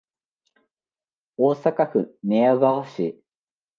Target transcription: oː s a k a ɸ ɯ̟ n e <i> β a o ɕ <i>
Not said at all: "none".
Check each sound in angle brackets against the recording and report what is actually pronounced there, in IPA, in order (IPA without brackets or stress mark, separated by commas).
a, i